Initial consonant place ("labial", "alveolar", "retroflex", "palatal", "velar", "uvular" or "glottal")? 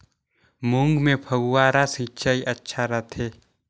labial